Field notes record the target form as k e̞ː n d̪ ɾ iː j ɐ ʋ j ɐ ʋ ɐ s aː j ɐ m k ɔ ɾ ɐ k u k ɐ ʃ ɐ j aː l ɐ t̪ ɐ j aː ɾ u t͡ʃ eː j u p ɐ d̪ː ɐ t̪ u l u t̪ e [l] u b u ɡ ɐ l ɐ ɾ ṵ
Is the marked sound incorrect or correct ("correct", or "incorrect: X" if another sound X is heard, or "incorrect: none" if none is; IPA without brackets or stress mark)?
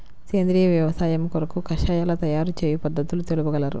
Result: correct